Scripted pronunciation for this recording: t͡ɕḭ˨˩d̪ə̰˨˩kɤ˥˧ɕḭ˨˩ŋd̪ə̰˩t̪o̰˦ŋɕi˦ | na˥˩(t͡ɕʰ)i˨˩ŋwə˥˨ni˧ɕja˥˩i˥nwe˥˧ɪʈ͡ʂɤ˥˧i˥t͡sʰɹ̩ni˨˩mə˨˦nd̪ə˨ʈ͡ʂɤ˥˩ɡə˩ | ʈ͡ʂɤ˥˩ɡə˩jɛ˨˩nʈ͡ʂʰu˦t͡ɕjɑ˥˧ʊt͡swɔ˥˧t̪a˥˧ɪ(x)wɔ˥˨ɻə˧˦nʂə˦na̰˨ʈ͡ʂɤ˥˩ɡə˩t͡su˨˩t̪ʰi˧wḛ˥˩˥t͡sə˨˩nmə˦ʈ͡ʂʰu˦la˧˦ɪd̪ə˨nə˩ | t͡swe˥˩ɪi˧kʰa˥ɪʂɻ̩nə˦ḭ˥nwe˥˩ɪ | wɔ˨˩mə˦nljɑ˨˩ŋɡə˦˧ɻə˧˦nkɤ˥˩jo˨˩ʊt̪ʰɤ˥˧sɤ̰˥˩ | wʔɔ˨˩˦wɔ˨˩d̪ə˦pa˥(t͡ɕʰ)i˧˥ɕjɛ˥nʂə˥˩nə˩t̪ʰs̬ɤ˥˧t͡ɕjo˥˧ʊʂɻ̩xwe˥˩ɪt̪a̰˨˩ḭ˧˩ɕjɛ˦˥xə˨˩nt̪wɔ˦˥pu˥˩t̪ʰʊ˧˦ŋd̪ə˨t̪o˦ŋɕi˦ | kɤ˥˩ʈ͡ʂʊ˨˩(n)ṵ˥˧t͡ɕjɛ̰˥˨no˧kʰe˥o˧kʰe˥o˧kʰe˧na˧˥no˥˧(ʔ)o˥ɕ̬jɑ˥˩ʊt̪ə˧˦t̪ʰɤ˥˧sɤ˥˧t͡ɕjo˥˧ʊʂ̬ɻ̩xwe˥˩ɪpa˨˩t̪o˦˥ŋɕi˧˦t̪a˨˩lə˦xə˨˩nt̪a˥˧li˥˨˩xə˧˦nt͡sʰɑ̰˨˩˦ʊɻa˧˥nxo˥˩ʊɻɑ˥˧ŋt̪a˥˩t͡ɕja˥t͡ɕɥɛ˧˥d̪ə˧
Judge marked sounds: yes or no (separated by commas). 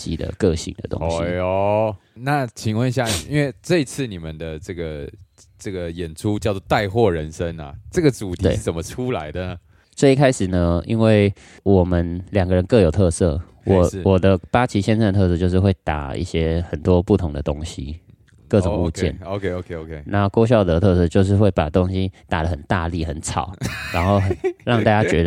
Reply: yes, yes, yes, no, no